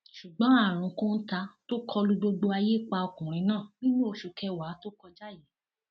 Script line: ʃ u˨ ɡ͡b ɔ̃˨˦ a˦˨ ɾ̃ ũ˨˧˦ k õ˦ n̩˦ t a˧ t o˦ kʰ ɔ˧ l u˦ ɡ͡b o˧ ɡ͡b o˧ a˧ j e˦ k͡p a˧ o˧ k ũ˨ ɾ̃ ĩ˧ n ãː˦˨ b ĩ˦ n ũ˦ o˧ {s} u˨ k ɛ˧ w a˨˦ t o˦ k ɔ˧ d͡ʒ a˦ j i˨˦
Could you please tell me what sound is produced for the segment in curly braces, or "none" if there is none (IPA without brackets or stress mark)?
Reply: ʃ